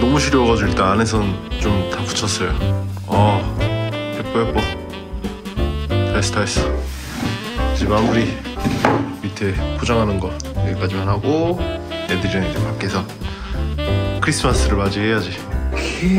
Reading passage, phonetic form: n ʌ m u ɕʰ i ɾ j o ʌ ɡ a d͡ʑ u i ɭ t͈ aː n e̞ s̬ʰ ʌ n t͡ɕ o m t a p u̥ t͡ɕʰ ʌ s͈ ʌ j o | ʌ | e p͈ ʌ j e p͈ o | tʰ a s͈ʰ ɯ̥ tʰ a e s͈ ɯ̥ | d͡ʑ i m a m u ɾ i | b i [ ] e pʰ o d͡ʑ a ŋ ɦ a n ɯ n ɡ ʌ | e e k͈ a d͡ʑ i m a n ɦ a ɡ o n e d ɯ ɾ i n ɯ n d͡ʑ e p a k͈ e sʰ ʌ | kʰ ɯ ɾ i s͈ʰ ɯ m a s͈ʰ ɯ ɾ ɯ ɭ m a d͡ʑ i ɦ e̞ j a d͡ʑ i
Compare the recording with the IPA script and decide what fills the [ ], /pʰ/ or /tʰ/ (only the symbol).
tʰ